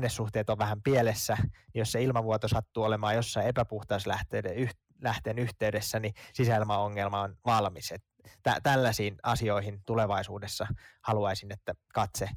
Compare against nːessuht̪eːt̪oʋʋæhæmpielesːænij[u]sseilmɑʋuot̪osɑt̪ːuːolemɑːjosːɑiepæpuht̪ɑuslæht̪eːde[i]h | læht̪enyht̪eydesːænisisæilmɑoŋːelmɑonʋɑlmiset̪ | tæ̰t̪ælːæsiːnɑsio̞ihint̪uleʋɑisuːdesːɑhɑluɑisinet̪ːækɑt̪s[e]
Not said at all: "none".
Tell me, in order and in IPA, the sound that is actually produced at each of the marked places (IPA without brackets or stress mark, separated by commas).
o, y, e